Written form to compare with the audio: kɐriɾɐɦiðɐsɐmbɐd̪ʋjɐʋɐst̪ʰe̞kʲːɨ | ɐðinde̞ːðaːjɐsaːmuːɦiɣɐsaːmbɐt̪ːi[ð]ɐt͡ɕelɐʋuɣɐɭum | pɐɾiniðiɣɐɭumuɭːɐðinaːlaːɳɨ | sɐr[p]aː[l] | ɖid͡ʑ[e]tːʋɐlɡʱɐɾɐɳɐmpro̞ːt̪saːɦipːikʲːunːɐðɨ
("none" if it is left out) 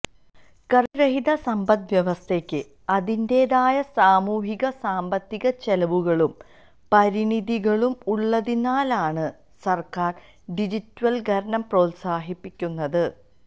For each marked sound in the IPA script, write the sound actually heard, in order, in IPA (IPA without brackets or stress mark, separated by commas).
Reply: ɣ, k, r, i